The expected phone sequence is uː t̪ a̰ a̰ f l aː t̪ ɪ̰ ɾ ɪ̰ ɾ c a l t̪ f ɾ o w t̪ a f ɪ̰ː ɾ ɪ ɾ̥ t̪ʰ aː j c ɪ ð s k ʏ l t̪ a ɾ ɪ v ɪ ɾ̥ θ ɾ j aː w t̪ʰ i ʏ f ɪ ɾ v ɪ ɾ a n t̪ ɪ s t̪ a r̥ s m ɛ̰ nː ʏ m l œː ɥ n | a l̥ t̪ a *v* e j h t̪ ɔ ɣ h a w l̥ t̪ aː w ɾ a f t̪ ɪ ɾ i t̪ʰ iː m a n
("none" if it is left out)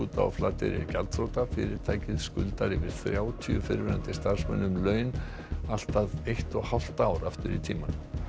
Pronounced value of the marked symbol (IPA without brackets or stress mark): ð